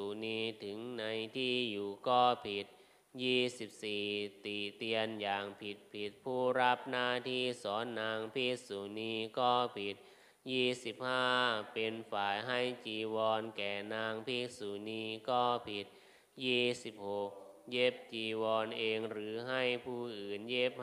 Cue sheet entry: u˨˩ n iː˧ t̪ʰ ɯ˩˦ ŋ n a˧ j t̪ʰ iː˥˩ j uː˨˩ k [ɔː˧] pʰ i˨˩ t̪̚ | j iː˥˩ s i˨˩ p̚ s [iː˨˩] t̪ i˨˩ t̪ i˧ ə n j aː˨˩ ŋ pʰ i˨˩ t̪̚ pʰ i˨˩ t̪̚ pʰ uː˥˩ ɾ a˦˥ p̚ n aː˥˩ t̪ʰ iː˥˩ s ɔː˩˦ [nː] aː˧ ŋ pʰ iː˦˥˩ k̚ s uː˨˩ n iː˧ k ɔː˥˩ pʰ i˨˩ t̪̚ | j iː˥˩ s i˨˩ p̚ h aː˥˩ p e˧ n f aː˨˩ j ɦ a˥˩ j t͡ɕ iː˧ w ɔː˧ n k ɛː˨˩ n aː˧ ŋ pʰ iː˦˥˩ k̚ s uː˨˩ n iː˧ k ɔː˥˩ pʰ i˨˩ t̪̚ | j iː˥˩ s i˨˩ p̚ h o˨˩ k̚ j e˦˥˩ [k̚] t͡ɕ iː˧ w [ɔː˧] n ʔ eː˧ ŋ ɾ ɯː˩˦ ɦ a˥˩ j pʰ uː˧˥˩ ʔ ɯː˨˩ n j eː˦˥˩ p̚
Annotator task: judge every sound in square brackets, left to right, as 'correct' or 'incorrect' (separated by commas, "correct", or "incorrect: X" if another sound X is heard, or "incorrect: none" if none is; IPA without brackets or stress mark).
incorrect: ɔː˥˩, correct, correct, incorrect: p̚, correct